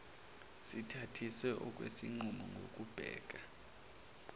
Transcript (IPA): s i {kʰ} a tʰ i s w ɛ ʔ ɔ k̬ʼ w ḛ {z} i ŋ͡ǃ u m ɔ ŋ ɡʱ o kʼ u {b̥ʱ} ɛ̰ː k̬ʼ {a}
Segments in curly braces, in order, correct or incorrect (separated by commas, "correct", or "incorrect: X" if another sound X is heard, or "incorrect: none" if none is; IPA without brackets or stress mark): incorrect: tʰ, incorrect: s, correct, correct